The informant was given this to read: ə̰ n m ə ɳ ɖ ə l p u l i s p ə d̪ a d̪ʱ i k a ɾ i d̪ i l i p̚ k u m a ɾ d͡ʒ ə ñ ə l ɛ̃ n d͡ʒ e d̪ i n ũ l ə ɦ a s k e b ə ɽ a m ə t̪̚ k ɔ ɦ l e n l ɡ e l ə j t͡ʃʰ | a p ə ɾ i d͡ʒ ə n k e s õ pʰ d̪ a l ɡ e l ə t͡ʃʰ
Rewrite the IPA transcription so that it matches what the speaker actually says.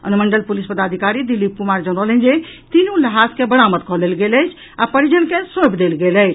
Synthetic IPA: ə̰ n m ə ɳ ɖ ə l p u l i s p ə d̪ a d̪ʱ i k a ɾ i d̪ i l i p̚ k u m a ɾ d͡ʒ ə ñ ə l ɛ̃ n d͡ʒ e t̪ i n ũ l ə ɦ a s k e b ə ɽ a m ə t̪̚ k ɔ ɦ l e l ɡ e l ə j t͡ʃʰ | a p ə ɾ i d͡ʒ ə n k e s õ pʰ d̪ e l ɡ e l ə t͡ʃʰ